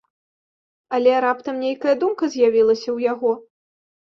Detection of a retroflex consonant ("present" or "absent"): absent